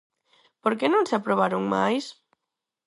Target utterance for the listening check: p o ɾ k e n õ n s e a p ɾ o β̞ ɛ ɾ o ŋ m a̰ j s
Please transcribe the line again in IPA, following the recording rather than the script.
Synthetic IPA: p o ɾ k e n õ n s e a p ɾ o β̞ a ɾ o ŋ m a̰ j s